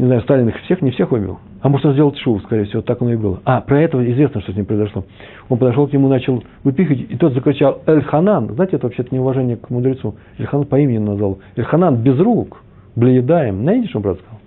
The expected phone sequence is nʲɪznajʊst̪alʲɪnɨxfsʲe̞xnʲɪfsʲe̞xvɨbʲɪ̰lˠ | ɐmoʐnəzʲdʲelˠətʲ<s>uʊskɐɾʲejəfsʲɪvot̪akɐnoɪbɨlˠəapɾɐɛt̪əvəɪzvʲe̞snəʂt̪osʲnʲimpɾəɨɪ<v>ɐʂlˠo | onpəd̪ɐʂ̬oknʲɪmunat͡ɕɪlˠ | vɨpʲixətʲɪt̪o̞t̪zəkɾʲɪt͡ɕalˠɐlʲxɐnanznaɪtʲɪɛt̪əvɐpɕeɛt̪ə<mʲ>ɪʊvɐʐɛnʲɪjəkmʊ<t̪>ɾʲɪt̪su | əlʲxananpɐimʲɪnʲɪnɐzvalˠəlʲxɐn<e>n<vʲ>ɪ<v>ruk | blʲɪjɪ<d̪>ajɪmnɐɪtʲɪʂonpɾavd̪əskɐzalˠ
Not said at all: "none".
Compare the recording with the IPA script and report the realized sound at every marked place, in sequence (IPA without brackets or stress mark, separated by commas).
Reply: ʂ, z, nʲ, d̪, a, bʲ, z, d̪